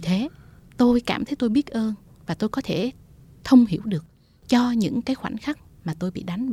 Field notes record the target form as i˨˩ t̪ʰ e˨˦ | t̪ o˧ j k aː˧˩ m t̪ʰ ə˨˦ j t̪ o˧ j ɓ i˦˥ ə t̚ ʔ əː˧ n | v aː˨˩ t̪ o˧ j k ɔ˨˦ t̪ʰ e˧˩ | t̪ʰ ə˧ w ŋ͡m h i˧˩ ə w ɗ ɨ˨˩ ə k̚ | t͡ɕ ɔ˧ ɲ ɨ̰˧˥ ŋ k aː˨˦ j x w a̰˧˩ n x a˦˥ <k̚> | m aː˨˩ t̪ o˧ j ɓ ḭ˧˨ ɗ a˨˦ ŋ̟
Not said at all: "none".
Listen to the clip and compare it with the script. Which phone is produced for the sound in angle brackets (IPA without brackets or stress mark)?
k̚